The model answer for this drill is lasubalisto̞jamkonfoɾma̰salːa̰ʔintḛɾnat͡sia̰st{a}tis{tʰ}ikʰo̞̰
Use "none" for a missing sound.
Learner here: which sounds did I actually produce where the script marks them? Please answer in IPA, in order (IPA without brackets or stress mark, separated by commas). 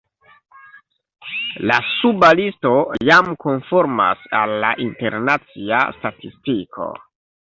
a, t